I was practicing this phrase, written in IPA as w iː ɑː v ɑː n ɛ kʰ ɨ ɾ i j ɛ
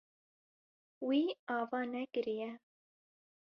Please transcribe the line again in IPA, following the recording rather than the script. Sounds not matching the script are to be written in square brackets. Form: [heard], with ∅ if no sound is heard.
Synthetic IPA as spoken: w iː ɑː v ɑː n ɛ [k] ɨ ɾ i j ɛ